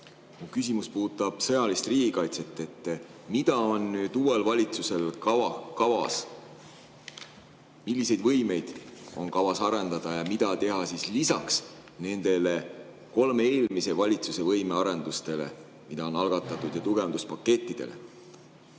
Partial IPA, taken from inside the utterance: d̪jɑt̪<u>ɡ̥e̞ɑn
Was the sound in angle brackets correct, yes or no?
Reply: yes